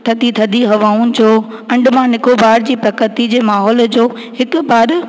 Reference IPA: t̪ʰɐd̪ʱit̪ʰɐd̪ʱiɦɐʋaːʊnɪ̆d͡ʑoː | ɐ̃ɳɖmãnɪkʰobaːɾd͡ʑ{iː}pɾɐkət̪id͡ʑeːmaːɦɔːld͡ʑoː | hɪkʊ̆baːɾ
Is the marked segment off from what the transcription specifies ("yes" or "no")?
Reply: no